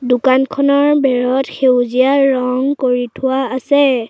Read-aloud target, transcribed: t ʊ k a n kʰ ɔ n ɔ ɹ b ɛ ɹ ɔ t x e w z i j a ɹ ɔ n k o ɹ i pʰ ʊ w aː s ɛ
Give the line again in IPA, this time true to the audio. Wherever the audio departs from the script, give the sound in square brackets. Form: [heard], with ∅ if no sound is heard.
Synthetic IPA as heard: [d] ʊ k a n kʰ ɔ n ɔ ɹ b ɛ ɹ ɔ t x e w z i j a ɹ ɔ [ŋ] k o ɹ i [tʰ] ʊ w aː s ɛ